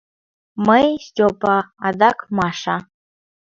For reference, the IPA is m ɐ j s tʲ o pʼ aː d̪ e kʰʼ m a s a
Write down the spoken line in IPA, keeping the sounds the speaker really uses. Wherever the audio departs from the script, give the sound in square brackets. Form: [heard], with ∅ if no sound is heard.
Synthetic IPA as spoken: m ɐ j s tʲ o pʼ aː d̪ [a] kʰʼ m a [ʂ] a